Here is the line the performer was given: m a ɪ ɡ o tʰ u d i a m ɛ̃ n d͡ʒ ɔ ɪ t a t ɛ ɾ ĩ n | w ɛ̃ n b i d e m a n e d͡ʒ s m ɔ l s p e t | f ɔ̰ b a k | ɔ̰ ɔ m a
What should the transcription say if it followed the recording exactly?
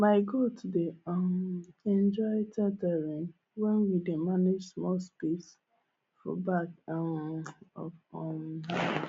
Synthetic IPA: m a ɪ ɡ o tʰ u d e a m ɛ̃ n d͡ʒ ɔ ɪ t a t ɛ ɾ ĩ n | w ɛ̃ n w i d e m a n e d͡ʒ s m ɔ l s p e s | f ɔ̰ b a k | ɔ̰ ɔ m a